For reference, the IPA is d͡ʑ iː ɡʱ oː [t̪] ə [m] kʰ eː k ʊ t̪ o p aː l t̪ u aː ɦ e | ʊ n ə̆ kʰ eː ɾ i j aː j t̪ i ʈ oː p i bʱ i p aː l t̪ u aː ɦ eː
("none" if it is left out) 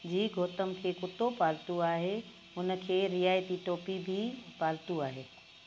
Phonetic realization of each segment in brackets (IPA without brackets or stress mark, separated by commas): t̪, m